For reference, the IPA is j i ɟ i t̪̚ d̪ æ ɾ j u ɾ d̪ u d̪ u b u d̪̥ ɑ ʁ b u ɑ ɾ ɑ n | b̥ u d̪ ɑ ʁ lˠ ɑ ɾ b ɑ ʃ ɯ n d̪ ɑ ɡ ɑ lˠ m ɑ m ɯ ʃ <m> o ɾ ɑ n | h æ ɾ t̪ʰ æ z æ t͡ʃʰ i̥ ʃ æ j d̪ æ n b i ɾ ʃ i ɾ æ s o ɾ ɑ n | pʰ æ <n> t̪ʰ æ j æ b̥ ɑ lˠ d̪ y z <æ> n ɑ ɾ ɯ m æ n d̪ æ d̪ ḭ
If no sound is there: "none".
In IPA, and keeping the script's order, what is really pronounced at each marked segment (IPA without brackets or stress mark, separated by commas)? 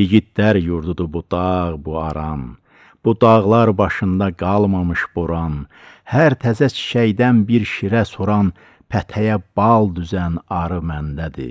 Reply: b, none, æ